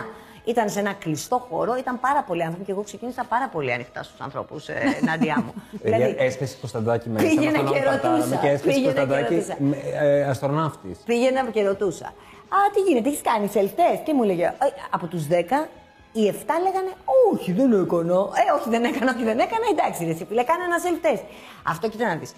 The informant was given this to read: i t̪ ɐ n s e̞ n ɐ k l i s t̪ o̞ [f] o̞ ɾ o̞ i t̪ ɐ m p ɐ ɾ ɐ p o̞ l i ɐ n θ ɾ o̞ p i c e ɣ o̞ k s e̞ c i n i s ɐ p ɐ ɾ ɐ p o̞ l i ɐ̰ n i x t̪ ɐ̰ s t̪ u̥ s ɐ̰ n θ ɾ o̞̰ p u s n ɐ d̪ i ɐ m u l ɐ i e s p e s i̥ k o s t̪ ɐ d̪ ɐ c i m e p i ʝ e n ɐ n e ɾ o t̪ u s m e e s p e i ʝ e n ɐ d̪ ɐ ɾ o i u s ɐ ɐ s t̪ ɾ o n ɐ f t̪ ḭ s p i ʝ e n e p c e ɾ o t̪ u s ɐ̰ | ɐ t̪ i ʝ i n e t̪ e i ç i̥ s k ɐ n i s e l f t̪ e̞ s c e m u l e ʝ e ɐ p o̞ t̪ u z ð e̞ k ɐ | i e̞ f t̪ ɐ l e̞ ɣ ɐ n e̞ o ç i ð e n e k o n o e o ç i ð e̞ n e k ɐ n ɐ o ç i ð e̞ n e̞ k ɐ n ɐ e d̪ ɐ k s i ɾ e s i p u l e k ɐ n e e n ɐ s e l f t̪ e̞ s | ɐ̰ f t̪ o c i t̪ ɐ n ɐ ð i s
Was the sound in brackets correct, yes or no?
no